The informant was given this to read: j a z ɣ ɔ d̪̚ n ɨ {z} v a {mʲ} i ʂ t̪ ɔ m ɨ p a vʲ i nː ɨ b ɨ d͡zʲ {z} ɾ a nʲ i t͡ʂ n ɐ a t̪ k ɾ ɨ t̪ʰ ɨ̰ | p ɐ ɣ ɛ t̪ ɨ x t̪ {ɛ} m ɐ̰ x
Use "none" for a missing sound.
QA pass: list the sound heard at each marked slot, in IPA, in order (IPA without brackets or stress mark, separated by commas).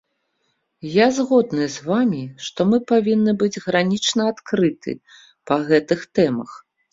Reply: z, mʲ, ɣ, ɛ